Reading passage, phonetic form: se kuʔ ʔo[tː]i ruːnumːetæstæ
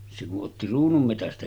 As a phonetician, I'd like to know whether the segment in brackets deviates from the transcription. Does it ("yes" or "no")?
no